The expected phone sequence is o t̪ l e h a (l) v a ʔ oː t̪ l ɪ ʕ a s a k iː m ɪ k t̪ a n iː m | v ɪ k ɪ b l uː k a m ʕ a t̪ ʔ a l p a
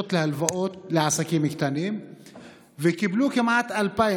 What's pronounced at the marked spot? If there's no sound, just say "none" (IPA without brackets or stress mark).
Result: l